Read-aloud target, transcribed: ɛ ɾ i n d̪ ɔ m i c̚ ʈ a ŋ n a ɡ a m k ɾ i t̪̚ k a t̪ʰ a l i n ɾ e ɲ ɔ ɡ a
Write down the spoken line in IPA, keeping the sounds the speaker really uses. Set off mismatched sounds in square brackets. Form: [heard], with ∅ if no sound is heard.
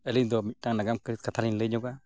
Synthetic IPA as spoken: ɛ [l] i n d̪ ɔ m i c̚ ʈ a ŋ n a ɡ a m k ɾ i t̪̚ k a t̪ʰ a l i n [l] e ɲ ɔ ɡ a